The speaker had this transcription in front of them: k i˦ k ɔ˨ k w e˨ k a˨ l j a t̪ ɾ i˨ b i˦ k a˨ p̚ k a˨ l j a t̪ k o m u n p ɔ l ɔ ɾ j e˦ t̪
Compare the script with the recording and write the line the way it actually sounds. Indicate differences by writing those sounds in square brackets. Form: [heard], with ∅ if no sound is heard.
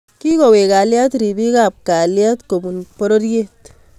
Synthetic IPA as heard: k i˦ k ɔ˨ [∅] w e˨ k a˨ l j a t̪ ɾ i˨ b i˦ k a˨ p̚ k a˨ l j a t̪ k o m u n p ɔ [ɾ] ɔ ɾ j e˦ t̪